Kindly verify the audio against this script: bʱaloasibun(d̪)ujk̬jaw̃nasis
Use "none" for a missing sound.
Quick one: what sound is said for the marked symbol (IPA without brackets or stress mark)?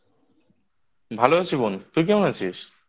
t̪